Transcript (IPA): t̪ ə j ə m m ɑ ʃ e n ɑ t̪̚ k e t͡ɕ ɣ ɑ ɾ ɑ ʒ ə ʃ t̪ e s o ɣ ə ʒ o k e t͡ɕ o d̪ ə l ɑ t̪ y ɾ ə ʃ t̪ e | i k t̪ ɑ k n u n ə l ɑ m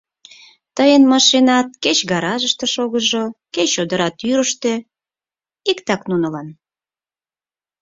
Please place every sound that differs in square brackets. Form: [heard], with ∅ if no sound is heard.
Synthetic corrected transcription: t̪ ə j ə [n] m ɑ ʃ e n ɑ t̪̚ k e t͡ɕ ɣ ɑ ɾ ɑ ʒ ə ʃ t̪ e [ʃ] o ɣ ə ʒ o k e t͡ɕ o d̪ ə [ɾ] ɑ t̪ y ɾ ə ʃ t̪ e | i k t̪ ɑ k n u n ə l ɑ [n]